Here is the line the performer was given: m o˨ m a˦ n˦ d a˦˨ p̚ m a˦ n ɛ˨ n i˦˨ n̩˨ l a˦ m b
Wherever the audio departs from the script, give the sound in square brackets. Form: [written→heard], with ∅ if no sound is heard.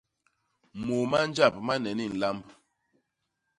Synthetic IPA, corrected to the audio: m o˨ m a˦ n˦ [d→d͡ʒ] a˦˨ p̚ m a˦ n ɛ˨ n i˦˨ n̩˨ l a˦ m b